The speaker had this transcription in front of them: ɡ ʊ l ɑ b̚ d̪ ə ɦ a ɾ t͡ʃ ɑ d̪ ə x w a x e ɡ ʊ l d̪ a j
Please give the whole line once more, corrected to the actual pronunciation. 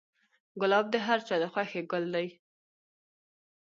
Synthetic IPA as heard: ɡ ʊ l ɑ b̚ d̪ ə ɦ a ɾ t͡ʃ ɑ d̪ ə x w a x e ɡ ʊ l d̪ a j